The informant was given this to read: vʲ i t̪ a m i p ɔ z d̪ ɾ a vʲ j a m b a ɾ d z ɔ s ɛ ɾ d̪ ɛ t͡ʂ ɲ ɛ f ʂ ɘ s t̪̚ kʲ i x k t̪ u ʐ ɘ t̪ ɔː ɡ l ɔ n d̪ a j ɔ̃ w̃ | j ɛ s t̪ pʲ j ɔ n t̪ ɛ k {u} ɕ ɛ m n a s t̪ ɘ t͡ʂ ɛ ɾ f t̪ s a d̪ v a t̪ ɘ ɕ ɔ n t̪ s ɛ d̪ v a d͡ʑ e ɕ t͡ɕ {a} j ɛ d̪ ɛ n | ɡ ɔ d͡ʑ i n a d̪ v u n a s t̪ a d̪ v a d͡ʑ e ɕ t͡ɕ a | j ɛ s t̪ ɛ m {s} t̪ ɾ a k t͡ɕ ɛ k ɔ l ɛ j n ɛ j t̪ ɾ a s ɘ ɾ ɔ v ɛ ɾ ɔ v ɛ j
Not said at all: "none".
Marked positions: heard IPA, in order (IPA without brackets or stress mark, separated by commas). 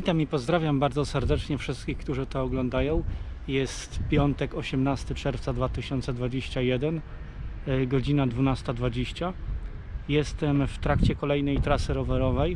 ɔ, a, f